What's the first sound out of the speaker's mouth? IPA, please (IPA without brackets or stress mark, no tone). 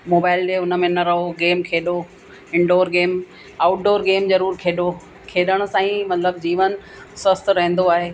m